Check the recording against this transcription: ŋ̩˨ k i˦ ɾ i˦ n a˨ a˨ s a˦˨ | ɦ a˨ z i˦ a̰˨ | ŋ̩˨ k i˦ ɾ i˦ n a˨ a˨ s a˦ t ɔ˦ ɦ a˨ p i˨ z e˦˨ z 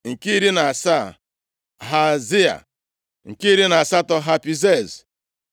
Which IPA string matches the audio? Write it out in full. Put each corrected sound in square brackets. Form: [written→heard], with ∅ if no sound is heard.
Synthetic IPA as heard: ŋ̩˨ k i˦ ɾ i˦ n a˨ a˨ s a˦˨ | ɦ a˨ z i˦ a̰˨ | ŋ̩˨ k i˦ ɾ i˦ n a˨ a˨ s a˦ t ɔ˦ ɦ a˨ p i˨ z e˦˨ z